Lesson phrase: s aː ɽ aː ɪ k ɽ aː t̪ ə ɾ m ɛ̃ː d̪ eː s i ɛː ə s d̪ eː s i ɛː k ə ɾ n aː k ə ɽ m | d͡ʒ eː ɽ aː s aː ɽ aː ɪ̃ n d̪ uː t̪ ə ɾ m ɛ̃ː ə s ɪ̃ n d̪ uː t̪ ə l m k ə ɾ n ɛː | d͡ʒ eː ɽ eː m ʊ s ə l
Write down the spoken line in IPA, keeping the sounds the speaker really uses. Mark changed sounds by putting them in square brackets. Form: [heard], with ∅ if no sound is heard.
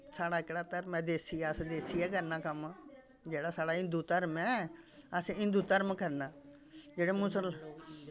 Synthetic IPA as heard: s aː ɽ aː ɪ k ɽ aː t̪ ə ɾ m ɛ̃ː d̪ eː s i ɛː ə s d̪ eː s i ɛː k ə ɾ n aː k ə [∅] m | d͡ʒ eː ɽ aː s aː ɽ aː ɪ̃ n d̪ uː t̪ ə ɾ m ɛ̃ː ə s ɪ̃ n d̪ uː t̪ ə [ɾ] m k ə ɾ n [aː] | d͡ʒ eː ɽ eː m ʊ s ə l